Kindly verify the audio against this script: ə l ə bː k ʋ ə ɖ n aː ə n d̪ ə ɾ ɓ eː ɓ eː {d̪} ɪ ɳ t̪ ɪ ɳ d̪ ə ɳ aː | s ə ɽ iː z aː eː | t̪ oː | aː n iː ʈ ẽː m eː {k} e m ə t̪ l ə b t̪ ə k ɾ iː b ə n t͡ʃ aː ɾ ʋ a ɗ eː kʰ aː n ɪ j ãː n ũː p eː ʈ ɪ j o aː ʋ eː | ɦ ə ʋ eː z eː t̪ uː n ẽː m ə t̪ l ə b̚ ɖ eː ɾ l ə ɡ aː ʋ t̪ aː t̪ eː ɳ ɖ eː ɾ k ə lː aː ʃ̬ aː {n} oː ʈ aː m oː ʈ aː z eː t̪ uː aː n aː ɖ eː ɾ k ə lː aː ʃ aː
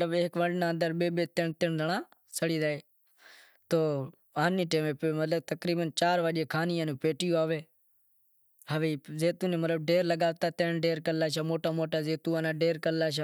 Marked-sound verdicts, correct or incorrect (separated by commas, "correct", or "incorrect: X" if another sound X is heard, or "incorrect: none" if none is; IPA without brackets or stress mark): incorrect: t̪, incorrect: p, incorrect: m